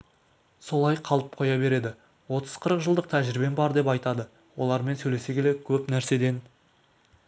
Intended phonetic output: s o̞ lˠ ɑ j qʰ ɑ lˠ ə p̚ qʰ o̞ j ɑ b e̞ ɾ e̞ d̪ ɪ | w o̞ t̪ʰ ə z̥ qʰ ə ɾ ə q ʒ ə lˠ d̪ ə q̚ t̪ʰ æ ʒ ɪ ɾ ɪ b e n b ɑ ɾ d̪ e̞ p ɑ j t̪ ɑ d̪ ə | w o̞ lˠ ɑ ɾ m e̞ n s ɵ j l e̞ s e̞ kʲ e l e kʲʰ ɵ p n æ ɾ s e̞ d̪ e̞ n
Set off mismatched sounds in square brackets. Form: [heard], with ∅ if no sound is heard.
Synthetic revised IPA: s o̞ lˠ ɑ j qʰ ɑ lˠ ə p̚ qʰ o̞ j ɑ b e̞ ɾ e̞ d̪ ɪ | w o̞ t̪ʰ ə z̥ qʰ ə ɾ ə q ʒ ə lˠ d̪ ə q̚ t̪ʰ æ ʒ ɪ ɾ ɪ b e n b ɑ ɾ d̪ e̞ p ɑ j t̪ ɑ d̪ ə | w o̞ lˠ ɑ ɾ m e̞ n s ɵ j l e̞ s e̞ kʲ e l e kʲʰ ɵ p n æ ɾ s e̞ d̪ e̞ n